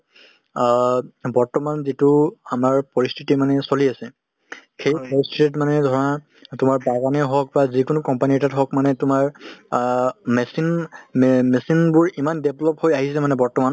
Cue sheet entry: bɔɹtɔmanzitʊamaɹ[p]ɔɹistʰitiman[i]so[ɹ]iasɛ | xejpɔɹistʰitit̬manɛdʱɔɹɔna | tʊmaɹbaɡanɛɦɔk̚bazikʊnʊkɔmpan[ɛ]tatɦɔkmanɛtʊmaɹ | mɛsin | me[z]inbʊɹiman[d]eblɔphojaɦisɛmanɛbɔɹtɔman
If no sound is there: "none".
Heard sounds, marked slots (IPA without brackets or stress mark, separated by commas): p, ɛ, l, i, s, d